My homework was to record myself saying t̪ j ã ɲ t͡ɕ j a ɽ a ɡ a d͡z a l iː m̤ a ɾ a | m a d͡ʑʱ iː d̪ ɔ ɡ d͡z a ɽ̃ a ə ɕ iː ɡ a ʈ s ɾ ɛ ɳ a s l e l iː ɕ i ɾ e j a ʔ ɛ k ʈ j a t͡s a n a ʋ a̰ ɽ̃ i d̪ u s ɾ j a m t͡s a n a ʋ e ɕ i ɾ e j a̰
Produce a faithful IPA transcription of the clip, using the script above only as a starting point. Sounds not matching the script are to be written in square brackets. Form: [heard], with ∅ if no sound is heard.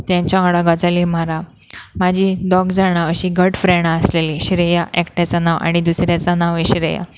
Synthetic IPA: t̪ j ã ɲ t͡ɕ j a ɽ a ɡ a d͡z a l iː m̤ a ɾ a | m a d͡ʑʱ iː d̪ ɔ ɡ d͡z a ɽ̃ a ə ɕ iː ɡ [ə] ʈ [f] ɾ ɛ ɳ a s l e l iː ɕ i ɾ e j a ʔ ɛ k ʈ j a t͡s a n a ʋ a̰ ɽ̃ i d̪ u s ɾ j a [∅] t͡s a n a ʋ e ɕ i ɾ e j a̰